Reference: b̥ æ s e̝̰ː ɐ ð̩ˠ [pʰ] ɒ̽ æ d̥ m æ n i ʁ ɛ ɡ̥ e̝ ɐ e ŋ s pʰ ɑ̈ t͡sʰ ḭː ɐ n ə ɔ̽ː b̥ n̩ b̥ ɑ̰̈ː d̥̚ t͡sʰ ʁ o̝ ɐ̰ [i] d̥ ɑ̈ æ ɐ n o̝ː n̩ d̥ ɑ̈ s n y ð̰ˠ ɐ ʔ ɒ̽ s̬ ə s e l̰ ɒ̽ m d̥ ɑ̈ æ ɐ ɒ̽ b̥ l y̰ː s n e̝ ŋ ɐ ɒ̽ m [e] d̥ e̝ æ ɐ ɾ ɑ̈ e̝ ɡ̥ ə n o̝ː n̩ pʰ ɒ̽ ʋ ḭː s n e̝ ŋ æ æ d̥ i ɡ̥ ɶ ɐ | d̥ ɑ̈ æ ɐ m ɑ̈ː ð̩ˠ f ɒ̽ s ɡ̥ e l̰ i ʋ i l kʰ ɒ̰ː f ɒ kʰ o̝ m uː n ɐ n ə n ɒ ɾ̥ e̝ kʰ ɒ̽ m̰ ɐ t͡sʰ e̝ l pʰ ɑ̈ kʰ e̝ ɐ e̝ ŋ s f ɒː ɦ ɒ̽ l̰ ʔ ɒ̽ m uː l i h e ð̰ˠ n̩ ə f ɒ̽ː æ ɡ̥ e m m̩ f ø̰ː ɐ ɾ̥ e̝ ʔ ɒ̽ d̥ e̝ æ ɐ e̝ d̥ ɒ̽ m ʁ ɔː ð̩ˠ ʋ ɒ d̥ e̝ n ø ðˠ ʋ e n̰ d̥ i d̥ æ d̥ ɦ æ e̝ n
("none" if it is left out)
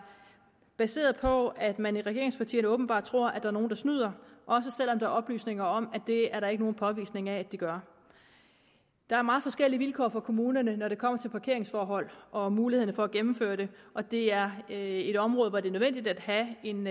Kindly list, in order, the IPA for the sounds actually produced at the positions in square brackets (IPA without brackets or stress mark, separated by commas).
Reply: pʰ, æ, æ